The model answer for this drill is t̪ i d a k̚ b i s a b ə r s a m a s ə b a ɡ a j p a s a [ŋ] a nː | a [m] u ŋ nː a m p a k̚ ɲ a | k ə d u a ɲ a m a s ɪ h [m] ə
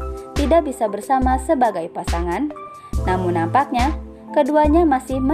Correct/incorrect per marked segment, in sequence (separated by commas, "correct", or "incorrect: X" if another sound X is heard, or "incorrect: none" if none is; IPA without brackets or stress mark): correct, correct, correct